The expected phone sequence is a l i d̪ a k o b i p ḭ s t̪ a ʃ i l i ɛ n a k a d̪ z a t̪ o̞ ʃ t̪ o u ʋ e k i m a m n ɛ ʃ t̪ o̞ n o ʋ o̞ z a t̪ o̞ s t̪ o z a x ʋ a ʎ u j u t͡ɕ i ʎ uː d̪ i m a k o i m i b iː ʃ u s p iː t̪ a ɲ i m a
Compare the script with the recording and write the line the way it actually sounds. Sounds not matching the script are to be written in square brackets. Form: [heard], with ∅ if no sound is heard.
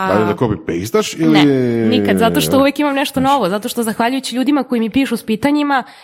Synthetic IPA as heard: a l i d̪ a k o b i p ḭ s t̪ a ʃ i l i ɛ n [i] k a d̪ z a t̪ o̞ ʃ t̪ o u ʋ e k i m a m n ɛ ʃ t̪ o̞ n o ʋ o̞ z a t̪ o̞ [ʃ] t̪ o z a x ʋ a ʎ u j u t͡ɕ i ʎ uː d̪ i m a k o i m i [p] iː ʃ u s p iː t̪ a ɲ i m a